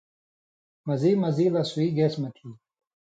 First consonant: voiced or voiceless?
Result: voiced